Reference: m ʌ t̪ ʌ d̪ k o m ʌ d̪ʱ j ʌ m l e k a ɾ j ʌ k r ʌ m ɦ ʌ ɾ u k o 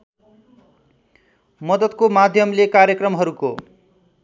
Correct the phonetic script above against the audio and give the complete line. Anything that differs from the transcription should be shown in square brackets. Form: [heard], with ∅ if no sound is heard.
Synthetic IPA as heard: m ʌ [d̪] ʌ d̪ k o m [a] d̪ʱ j ʌ m l e k a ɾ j ʌ k r ʌ m ɦ ʌ ɾ u k o